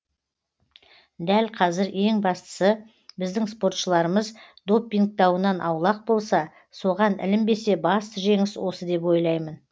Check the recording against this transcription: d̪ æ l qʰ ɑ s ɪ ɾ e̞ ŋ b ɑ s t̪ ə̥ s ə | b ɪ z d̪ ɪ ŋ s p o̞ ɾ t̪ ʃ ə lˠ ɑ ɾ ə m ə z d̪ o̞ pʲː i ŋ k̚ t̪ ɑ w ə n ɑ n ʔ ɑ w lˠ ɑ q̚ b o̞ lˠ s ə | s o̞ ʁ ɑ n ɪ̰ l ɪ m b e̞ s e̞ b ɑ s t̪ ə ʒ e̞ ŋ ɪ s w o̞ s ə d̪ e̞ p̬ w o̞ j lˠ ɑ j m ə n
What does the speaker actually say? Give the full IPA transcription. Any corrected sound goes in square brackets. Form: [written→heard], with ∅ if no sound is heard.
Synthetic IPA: d̪ æ l qʰ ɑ [s→z] ɪ ɾ e̞ ŋ b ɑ s t̪ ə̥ s ə | b ɪ z d̪ ɪ ŋ s p o̞ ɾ t̪ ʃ ə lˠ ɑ ɾ ə m ə z d̪ o̞ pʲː i ŋ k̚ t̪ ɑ w ə n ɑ n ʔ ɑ w lˠ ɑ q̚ b o̞ lˠ s [ə→ɑ] | s o̞ ʁ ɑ n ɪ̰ l ɪ m b e̞ s e̞ b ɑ s t̪ ə ʒ e̞ ŋ ɪ s w o̞ s ə d̪ e̞ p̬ w o̞ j lˠ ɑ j m ə n